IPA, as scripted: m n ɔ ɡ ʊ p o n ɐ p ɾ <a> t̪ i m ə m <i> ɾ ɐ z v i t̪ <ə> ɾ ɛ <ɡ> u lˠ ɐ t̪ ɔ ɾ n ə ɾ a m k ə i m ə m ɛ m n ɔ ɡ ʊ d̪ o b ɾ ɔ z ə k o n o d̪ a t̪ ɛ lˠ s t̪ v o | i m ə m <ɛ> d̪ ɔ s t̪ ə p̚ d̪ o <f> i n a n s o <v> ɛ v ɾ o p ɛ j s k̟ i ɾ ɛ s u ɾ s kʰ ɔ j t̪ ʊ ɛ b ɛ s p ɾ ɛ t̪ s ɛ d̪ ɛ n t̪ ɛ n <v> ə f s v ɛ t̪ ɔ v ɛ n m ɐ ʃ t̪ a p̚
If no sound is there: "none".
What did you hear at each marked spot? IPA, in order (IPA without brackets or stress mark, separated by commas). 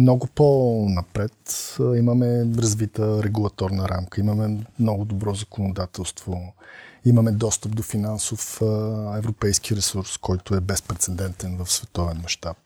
ɛ, ɛ, ə, ɡ, ɛ, f, f, v